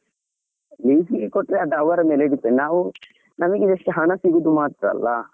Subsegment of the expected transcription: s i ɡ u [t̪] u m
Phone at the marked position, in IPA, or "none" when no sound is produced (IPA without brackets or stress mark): d̪